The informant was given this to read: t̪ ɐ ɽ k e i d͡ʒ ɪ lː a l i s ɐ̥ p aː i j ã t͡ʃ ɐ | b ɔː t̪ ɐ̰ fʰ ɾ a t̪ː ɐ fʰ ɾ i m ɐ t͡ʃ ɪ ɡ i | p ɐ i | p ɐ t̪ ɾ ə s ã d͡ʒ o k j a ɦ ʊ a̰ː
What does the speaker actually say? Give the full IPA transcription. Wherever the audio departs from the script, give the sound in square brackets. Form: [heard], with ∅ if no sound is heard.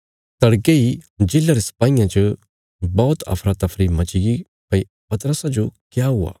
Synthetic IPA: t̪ ɐ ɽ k e i d͡ʒ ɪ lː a [ɾ] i s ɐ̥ p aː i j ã t͡ʃ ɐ | b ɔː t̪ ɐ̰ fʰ ɾ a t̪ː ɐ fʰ ɾ i m ɐ t͡ʃ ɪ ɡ i | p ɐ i | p ɐ t̪ ɾ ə s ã d͡ʒ o k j a ɦ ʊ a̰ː